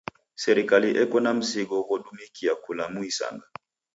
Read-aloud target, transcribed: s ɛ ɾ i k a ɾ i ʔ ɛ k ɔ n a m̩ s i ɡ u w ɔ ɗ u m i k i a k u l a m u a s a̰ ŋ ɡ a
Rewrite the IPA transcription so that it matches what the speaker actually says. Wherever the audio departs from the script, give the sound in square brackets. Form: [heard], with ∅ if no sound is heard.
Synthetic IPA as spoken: s ɛ ɾ i k a [l] i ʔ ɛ k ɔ n a m̩ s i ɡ [ɔ] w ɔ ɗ u m i k i a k u l a m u [i] s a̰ ŋ ɡ a